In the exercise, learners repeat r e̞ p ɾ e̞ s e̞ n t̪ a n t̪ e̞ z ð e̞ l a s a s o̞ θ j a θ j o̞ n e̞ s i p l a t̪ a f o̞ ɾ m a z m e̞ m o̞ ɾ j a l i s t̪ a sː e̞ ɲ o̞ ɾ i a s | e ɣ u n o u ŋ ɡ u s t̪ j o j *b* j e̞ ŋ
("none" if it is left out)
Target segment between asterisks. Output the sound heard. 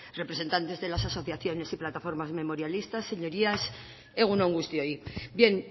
b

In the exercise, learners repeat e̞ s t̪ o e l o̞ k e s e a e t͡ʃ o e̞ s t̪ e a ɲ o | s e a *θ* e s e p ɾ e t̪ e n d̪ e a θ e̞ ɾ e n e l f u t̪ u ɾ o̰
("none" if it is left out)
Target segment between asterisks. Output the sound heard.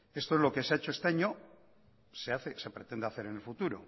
θ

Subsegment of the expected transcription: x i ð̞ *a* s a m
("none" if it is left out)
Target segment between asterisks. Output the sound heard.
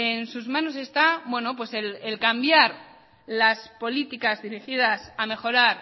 a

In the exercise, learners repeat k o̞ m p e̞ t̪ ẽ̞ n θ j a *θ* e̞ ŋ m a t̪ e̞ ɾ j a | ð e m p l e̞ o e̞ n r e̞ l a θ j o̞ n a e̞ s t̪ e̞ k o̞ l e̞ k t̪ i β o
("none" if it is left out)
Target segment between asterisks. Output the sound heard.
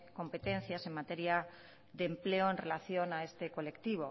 s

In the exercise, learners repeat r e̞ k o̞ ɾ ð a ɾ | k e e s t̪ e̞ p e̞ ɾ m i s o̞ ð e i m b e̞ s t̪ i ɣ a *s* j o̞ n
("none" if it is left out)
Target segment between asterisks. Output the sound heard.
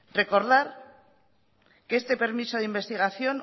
θ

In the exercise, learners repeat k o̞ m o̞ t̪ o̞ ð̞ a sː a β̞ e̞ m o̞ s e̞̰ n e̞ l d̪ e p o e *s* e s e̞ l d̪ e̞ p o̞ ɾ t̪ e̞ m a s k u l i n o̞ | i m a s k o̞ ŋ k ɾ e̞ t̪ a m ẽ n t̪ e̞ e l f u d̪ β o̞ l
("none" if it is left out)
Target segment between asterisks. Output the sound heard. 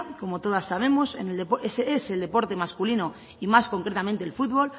s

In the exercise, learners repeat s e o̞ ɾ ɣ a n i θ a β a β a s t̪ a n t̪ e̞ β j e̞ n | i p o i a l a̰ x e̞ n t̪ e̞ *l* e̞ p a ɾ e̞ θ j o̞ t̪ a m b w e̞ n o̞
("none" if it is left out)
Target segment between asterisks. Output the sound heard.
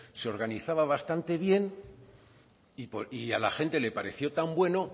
l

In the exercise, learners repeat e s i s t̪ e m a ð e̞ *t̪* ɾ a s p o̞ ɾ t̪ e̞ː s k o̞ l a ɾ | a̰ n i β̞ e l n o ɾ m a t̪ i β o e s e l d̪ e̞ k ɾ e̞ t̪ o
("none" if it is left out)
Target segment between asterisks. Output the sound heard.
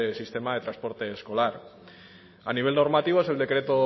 t̪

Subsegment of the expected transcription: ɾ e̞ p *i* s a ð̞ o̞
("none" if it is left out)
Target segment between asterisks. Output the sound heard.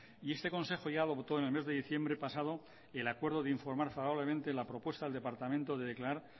a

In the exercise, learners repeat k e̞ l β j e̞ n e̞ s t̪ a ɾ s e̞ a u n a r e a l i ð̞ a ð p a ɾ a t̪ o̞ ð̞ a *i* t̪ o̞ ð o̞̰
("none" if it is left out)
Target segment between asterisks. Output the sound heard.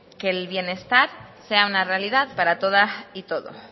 i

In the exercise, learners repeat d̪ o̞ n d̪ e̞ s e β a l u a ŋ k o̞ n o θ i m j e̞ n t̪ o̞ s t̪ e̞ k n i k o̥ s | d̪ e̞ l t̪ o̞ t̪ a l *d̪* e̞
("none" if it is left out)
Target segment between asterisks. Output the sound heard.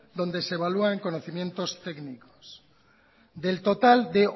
d̪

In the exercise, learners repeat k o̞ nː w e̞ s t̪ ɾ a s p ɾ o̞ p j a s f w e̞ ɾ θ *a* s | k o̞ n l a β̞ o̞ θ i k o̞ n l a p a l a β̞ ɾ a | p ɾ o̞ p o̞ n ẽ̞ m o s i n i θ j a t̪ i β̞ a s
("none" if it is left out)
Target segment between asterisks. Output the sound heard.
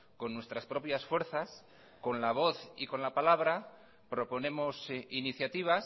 a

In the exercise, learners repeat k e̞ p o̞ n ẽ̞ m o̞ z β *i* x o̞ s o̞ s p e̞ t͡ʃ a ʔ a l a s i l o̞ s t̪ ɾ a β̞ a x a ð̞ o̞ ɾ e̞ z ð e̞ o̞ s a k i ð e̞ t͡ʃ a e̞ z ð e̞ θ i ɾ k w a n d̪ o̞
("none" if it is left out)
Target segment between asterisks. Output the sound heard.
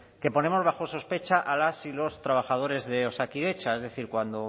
a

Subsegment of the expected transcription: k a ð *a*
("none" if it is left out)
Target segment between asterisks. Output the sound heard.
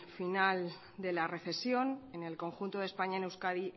i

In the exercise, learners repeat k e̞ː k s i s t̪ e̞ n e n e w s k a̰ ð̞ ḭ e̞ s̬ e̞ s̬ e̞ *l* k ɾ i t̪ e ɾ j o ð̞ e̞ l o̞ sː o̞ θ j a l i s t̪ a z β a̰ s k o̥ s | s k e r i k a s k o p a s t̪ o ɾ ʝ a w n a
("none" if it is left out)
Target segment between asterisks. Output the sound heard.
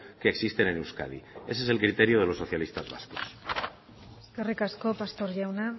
l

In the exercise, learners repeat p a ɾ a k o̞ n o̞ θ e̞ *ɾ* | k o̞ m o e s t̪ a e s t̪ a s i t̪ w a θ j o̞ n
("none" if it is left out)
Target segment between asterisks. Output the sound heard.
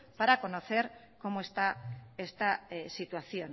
ɾ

